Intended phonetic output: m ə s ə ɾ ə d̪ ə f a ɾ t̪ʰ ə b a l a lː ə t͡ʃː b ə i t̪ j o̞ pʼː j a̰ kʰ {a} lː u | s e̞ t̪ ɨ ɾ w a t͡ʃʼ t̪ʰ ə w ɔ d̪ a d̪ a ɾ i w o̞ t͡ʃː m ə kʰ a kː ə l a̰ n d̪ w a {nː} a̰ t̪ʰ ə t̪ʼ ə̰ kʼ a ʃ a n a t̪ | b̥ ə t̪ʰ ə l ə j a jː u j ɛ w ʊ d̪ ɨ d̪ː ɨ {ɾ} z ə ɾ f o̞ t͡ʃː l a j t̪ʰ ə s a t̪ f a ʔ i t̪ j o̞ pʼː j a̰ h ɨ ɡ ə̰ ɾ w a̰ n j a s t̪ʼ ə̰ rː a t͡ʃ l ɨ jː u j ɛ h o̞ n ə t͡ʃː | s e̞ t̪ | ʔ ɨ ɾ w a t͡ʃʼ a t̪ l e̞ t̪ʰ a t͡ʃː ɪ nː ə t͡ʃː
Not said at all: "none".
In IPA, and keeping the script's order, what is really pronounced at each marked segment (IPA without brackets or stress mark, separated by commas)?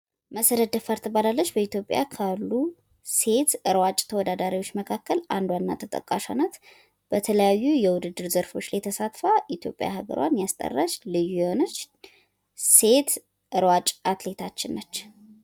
a, nː, ɾ